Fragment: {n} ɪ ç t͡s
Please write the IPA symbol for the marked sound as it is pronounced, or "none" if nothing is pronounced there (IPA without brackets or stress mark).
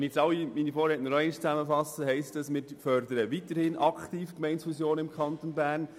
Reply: n